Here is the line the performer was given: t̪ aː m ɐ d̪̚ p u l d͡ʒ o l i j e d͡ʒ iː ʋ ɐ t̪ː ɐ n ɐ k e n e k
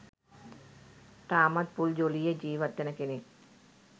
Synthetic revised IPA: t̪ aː m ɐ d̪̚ p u l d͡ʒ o l i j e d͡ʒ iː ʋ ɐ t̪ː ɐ n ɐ k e n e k